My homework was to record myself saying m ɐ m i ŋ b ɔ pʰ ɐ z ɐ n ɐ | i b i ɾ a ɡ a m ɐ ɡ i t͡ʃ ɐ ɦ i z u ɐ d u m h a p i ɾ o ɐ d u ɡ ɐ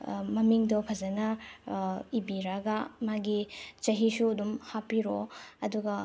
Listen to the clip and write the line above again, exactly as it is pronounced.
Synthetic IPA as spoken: m ɐ m i ŋ d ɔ pʰ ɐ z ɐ n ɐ | i b i ɾ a ɡ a m a ɡ i t͡ʃ ɐ ɦ i s u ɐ d u m h a p i ɾ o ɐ d u ɡ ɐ